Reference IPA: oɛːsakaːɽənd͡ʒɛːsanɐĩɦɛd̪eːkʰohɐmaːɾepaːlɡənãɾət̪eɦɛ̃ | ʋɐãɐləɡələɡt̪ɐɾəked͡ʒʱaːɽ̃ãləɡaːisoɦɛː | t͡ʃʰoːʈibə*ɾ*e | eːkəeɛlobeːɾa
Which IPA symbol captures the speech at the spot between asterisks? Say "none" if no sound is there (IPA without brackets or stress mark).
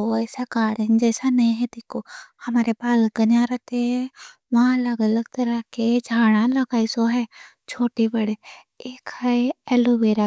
ɽ